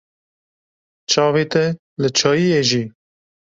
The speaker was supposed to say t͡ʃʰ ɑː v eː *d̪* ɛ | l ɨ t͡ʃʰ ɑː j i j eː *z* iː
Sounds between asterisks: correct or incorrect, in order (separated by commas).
incorrect, incorrect